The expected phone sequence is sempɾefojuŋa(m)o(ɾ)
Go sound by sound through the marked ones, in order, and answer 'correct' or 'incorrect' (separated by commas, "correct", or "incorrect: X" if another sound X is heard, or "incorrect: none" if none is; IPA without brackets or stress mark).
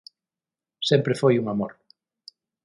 correct, correct